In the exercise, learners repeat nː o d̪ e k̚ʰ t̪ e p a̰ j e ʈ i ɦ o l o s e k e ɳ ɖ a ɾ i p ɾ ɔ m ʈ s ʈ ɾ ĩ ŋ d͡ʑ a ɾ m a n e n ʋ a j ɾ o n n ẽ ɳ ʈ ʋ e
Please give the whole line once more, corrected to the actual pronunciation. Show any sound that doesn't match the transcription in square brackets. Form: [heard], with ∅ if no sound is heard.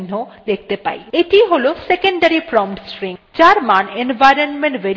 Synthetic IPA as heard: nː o d̪ e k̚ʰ t̪ e p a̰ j e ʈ i ɦ o l o s e k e ɳ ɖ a ɾ i p ɾ ɔ m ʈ s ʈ ɾ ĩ ŋ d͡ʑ a ɾ m a n e n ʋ a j ɾ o n [m] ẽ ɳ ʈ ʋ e